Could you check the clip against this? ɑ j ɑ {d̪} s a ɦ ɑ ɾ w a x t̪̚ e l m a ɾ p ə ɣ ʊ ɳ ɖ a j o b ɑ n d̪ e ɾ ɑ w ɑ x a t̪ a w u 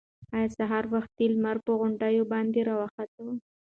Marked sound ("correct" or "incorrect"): incorrect